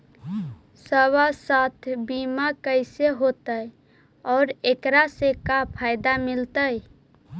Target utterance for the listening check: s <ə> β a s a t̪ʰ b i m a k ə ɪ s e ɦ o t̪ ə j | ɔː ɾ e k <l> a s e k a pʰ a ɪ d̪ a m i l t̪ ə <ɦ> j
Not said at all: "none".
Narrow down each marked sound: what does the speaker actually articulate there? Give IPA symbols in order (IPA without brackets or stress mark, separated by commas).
ə, ɾ, none